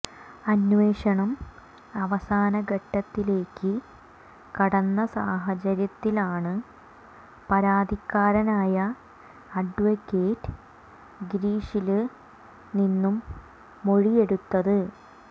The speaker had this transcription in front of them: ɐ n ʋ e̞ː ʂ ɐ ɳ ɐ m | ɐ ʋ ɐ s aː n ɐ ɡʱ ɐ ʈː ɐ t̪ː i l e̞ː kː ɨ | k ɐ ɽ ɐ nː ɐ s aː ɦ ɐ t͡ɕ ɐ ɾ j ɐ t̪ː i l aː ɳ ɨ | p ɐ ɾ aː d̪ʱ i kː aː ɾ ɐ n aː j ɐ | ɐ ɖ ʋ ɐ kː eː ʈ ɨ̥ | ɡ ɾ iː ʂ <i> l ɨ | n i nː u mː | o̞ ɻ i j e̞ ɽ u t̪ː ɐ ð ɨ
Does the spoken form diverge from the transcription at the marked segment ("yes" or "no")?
no